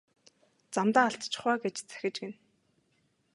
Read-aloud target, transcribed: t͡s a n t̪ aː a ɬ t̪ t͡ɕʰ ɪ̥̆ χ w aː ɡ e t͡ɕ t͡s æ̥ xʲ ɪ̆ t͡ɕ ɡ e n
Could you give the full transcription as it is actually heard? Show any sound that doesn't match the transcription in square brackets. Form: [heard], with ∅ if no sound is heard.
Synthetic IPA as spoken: t͡s a [m] t̪ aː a ɬ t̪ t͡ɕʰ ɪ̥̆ χ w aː ɡ e t͡ɕ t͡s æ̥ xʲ ɪ̆ t͡ɕ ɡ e n